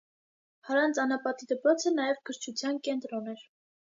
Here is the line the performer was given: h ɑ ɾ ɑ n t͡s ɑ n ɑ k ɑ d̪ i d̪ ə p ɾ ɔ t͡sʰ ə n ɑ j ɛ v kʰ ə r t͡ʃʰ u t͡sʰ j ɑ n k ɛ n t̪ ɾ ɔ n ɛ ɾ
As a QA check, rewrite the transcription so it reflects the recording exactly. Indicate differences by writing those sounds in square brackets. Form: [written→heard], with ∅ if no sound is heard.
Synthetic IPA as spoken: h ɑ ɾ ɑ n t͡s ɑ n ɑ [k→p] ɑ [d̪→t̪] i d̪ ə p ɾ ɔ t͡sʰ ə n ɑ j ɛ v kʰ ə [r→ɾ] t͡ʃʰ u t͡sʰ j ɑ n k ɛ n t̪ ɾ ɔ n ɛ ɾ